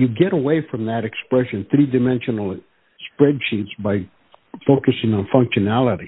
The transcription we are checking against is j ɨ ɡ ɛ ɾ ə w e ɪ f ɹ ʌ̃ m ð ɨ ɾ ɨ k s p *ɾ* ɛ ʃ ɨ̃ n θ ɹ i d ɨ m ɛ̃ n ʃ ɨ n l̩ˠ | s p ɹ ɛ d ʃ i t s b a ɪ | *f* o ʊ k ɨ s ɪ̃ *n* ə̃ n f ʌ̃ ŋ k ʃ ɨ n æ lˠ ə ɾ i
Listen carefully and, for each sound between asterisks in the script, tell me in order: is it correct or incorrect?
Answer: incorrect: ɹ, correct, incorrect: ŋ

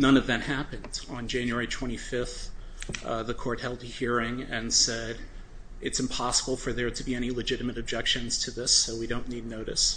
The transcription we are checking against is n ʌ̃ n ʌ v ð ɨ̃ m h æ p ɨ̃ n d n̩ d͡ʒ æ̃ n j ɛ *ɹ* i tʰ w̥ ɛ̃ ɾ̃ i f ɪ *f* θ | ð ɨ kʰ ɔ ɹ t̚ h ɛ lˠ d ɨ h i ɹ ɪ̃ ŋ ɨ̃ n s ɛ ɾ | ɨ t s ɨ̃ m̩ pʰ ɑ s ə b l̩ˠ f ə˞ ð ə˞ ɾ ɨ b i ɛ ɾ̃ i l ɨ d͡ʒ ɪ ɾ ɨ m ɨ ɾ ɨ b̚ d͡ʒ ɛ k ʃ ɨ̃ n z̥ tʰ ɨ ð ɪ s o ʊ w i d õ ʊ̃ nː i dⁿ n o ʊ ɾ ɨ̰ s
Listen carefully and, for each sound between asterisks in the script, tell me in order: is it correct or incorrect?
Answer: correct, correct

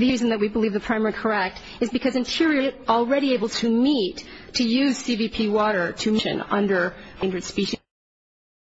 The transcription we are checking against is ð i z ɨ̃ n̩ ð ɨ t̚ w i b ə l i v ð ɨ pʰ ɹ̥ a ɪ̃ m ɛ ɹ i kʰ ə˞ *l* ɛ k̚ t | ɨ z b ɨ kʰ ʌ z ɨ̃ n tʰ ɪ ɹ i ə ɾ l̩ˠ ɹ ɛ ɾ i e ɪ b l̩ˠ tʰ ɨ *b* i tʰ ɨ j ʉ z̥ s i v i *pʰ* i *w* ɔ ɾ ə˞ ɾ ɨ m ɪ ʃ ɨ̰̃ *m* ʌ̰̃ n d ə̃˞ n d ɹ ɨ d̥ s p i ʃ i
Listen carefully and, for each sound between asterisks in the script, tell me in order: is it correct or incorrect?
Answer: incorrect: none, incorrect: m, correct, correct, incorrect: n

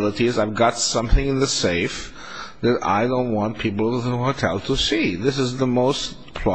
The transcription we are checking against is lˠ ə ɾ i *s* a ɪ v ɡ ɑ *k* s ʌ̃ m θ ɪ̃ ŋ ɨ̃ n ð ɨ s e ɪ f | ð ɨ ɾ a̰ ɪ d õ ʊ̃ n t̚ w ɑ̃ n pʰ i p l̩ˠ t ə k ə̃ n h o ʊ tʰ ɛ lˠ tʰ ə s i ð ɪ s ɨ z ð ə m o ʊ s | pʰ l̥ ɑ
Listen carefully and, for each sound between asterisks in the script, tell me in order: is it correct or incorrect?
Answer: incorrect: z, incorrect: t

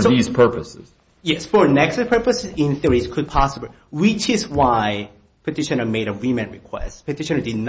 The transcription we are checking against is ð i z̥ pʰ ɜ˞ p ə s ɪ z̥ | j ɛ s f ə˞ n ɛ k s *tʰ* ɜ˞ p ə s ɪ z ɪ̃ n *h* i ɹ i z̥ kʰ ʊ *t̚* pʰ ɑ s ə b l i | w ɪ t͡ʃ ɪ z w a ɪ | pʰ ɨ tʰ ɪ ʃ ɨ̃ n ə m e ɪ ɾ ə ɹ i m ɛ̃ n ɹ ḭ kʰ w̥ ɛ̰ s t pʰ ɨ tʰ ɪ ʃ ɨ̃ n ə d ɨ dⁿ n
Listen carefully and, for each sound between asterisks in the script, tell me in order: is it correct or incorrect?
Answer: incorrect: pʰ, incorrect: θ, incorrect: d̚

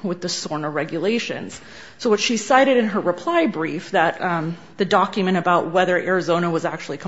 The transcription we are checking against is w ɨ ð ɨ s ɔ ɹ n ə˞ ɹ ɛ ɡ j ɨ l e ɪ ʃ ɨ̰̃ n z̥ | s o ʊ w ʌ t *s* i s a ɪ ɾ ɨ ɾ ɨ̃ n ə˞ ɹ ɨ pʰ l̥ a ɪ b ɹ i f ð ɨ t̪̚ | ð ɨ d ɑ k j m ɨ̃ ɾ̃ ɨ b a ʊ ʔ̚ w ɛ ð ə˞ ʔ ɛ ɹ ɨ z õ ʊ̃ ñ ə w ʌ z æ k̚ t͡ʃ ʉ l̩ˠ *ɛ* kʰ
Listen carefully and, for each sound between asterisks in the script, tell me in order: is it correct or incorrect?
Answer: incorrect: ʃ, incorrect: i

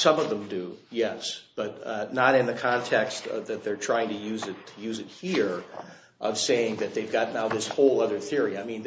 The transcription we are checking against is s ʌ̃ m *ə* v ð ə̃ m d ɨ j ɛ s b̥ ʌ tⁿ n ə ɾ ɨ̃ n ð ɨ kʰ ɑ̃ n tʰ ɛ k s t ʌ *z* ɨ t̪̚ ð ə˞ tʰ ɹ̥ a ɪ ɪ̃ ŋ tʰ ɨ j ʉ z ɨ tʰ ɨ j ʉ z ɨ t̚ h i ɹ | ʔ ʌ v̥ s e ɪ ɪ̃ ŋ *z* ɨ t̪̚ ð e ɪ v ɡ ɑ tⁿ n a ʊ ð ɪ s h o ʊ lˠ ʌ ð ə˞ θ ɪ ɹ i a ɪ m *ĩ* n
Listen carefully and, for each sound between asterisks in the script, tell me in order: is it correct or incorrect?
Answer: incorrect: ʌ, incorrect: ð, incorrect: ð, correct

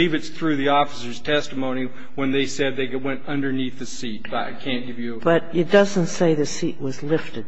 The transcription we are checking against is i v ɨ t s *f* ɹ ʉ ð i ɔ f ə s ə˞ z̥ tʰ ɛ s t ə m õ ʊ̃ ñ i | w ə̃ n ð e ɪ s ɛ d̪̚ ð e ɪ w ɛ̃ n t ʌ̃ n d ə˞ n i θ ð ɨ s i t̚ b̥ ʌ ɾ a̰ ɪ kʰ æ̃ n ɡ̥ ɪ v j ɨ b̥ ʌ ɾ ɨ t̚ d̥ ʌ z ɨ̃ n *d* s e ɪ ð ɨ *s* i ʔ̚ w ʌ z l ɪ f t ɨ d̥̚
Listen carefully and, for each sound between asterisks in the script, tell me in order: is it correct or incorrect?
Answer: incorrect: θ, incorrect: t, correct

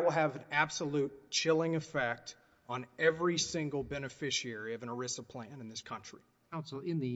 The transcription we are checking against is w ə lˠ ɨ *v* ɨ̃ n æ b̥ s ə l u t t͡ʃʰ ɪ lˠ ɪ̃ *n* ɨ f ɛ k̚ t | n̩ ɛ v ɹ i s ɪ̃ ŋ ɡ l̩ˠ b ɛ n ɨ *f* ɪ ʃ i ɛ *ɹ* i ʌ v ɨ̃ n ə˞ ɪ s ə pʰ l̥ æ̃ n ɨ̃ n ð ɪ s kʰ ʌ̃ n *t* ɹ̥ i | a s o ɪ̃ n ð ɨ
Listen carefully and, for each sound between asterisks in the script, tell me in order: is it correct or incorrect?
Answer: correct, incorrect: ŋ, correct, correct, incorrect: t͡ʃ

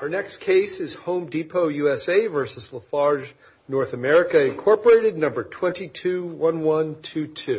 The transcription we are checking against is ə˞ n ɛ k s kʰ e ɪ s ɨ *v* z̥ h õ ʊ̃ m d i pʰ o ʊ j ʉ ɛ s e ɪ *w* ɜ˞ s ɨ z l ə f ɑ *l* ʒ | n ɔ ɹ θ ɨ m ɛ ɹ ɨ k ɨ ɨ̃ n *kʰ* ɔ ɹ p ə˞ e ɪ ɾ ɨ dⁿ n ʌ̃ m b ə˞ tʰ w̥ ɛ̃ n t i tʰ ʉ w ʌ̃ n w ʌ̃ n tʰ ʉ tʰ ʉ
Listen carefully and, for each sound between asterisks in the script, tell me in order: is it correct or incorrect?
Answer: incorrect: none, incorrect: v, incorrect: ɹ, correct

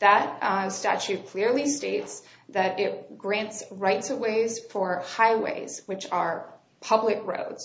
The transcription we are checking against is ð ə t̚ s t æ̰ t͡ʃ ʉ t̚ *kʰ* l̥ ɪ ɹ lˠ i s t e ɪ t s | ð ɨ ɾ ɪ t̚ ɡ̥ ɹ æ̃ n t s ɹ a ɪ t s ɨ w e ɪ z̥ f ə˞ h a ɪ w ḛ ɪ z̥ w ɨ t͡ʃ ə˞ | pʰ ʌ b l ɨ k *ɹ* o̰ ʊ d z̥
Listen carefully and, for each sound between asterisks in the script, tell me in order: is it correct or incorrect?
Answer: correct, correct

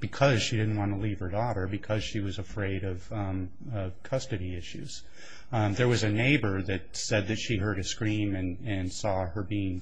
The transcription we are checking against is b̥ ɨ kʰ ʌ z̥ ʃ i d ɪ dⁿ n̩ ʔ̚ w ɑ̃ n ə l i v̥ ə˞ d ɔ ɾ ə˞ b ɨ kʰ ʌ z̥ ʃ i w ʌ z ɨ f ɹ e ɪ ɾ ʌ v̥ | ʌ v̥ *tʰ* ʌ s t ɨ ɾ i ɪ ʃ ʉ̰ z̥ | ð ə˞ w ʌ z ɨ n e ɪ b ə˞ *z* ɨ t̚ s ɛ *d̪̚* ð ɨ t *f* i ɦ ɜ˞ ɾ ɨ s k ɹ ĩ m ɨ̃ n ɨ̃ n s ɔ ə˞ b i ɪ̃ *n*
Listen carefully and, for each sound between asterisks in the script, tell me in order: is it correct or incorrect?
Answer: incorrect: kʰ, incorrect: ð, correct, incorrect: ʃ, incorrect: ŋ

